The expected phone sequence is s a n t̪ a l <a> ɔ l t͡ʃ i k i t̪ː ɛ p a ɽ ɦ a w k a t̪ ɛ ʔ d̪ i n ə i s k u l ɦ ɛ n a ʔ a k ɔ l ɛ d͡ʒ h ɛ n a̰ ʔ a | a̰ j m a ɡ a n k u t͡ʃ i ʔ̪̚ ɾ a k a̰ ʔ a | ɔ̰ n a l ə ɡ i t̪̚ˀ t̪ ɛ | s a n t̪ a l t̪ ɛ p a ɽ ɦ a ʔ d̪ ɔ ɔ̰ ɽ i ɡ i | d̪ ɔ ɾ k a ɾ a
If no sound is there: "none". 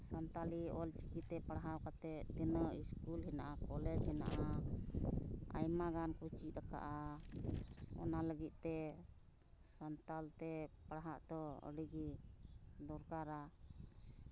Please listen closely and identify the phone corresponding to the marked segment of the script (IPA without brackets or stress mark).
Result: i